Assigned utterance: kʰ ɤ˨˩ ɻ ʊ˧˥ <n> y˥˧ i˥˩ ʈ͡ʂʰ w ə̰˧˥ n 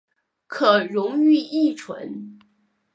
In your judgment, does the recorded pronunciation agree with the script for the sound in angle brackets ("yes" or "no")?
no